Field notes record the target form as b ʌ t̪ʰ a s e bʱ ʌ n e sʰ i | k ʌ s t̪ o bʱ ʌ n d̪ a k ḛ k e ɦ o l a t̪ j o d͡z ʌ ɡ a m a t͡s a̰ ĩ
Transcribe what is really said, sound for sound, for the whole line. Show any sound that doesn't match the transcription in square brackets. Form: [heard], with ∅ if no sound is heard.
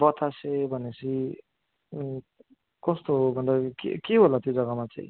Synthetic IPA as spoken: b ʌ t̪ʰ a s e bʱ ʌ n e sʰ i | k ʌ s t̪ o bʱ ʌ n d̪ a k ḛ k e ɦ o l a t̪ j o d͡z ʌ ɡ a m a t͡s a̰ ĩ